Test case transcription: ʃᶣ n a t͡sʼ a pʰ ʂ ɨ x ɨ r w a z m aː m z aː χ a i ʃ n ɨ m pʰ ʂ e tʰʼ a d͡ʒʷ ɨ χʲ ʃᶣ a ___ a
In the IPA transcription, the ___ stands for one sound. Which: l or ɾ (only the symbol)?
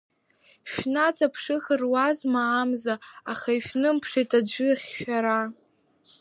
ɾ